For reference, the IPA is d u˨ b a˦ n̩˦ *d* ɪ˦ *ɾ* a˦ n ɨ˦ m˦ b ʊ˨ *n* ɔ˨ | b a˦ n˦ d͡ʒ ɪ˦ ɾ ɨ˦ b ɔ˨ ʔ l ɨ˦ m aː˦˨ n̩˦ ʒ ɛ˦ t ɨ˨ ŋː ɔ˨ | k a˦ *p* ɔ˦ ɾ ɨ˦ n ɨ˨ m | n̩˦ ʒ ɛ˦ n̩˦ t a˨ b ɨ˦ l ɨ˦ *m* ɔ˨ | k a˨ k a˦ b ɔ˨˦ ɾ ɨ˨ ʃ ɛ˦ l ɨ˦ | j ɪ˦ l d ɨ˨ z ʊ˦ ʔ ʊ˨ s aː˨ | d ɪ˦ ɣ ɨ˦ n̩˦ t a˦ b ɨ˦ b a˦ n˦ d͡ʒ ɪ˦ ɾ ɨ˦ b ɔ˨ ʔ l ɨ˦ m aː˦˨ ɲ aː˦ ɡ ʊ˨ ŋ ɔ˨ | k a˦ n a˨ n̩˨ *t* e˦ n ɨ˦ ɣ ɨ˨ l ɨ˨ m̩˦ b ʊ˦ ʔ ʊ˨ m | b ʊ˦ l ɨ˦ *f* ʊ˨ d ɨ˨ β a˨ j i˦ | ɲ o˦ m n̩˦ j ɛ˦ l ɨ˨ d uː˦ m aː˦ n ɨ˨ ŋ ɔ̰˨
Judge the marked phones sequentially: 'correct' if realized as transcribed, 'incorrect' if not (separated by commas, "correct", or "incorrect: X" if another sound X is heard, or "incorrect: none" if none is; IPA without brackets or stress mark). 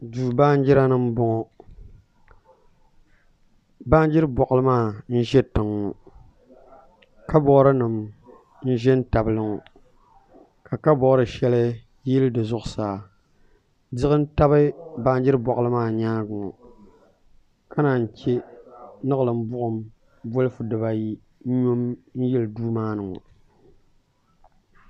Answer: incorrect: d͡ʒ, correct, incorrect: ŋ, incorrect: b, incorrect: ŋ, incorrect: t͡ʃ, correct